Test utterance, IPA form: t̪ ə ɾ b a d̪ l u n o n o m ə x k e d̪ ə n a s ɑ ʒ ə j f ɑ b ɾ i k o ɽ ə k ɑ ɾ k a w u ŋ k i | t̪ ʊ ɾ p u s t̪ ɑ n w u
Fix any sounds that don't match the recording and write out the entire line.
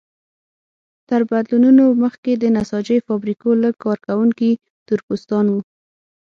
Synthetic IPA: t̪ ə ɾ b a d̪ l u n u n o m ə x k e d̪ ə n a s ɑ d͡ʒ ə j f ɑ b ɾ i k o l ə k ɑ ɾ k a w u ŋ k i | t̪ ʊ ɾ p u s t̪ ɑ n w u